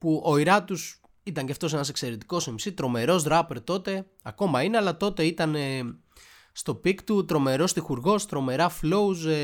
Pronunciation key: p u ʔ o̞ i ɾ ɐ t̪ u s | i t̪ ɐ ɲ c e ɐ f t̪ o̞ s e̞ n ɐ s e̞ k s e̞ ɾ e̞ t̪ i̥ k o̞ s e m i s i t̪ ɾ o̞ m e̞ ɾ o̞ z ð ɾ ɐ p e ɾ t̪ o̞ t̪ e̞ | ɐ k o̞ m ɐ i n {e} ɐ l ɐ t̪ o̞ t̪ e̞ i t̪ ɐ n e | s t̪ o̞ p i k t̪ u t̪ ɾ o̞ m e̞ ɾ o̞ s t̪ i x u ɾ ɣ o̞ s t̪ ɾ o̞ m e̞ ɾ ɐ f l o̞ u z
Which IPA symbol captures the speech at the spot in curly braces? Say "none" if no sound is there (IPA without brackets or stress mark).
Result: e